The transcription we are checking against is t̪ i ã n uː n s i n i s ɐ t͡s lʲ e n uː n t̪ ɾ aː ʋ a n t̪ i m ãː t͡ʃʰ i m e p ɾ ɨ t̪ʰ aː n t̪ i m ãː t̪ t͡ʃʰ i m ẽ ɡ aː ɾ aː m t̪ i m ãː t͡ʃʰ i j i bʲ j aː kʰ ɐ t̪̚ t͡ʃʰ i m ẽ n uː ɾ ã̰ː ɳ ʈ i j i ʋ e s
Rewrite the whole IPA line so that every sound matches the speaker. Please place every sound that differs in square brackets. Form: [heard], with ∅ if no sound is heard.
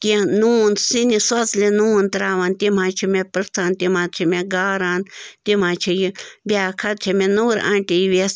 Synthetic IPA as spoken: t̪ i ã n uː n s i n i s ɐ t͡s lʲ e n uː n t̪ ɾ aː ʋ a n t̪ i m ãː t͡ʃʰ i m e p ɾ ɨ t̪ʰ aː n t̪ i m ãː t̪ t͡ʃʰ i m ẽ ɡ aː ɾ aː [n] t̪ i m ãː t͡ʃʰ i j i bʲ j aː kʰ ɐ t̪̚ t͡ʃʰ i m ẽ n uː ɾ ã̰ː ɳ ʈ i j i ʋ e s